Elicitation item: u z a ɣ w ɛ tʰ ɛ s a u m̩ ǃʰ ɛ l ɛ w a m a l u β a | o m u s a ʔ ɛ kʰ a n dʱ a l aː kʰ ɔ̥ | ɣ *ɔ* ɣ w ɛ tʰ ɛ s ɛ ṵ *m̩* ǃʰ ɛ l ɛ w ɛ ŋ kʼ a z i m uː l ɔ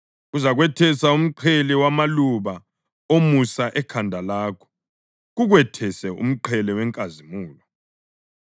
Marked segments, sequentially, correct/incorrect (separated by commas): incorrect, correct